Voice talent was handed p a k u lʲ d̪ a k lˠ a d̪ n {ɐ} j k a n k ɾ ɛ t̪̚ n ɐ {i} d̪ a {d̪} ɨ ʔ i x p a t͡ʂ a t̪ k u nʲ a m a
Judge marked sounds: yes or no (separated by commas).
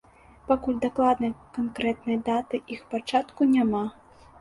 yes, no, no